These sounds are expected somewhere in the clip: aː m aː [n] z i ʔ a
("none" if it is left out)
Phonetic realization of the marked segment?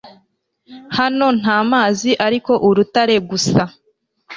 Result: none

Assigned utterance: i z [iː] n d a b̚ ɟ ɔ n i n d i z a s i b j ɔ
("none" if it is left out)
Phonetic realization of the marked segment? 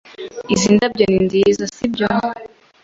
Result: i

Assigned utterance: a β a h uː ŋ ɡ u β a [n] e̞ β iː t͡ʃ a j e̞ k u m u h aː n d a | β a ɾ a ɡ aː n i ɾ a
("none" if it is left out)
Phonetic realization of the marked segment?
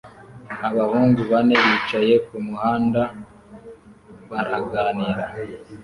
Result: n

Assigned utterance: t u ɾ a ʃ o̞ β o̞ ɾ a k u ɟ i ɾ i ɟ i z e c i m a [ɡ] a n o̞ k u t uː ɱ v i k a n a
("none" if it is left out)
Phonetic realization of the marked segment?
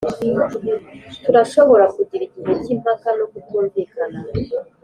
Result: k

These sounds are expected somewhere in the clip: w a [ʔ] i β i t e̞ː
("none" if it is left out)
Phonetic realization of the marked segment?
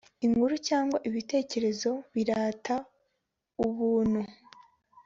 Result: ʔ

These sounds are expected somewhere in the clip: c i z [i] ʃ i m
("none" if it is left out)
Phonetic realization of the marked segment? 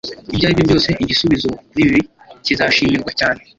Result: a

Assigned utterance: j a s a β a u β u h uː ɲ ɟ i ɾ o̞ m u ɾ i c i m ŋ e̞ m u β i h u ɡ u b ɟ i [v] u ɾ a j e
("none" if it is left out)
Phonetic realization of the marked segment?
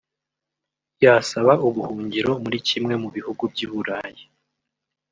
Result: β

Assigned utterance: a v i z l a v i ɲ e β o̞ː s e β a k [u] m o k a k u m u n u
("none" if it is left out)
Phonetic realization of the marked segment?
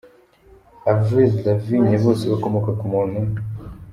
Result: o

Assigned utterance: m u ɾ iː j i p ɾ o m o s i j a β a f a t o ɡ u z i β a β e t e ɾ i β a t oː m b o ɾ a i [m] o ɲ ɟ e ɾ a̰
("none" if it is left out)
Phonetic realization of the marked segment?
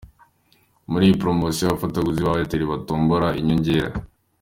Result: ɲ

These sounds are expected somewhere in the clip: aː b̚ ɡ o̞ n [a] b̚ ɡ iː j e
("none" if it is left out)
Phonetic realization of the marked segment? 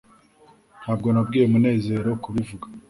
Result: a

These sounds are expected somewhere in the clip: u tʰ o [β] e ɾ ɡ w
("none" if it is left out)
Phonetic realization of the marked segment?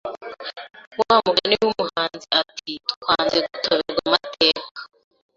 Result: β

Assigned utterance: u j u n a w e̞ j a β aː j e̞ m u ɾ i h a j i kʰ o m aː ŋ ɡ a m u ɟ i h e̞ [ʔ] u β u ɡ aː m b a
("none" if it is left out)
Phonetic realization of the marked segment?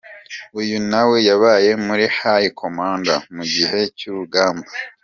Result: c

